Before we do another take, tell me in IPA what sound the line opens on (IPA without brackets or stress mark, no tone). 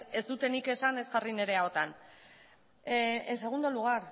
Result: e̞